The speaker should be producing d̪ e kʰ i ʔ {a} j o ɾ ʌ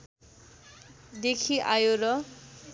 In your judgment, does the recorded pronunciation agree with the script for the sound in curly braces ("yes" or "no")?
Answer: yes